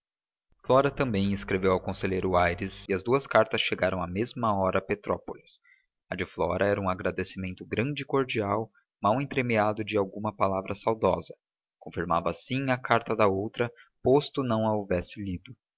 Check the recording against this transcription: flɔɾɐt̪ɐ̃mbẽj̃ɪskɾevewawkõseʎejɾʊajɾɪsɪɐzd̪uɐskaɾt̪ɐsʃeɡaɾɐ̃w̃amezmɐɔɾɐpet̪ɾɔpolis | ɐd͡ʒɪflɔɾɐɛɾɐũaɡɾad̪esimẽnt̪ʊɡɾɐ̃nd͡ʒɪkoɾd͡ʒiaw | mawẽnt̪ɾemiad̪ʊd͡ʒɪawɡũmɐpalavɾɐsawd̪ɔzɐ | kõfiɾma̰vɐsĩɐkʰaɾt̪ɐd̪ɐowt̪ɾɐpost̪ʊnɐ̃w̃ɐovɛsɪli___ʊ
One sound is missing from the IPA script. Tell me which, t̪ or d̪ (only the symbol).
d̪